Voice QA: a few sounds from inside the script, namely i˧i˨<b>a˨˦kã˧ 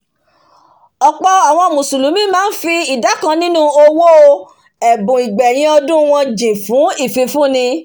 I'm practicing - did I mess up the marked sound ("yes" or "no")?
yes